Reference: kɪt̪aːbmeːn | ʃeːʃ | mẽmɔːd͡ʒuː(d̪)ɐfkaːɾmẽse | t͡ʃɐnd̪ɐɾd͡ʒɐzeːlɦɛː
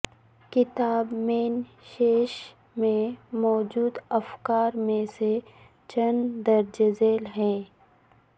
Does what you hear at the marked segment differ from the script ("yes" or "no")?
no